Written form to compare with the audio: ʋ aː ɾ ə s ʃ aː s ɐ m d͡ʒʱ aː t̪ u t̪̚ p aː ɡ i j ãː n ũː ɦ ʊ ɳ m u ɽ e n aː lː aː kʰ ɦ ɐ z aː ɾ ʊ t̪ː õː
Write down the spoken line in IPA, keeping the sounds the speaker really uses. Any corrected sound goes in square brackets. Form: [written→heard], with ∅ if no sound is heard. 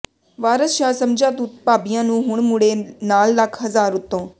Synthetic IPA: ʋ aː ɾ ə s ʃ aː s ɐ m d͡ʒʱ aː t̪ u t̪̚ p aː [ɡ→b] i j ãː n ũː ɦ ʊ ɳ m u ɽ e n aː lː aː kʰ ɦ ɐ z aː ɾ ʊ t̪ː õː